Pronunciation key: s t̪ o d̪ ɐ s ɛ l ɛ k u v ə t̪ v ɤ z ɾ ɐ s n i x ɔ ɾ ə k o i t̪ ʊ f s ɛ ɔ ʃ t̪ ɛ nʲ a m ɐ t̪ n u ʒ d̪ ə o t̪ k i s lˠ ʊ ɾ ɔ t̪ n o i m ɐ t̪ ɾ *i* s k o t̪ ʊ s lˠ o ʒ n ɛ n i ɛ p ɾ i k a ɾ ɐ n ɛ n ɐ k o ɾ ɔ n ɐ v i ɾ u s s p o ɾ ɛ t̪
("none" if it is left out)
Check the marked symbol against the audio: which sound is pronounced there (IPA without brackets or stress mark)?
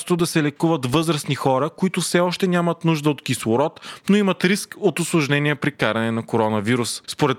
i